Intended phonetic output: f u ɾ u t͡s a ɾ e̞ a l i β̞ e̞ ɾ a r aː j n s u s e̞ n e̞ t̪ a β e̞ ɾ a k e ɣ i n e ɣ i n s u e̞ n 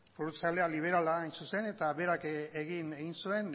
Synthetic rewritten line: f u ɾ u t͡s a l e̞ a l i β̞ e̞ ɾ a l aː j n s u s e̞ n e̞ t̪ a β e̞ ɾ a k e ɣ i n e ɣ i n s u e̞ n